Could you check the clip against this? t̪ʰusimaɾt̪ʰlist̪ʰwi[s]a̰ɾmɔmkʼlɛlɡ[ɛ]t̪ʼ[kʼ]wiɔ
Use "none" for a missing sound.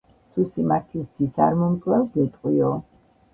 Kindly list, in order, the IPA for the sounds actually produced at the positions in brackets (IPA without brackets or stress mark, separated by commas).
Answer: s, ɛ, qʼ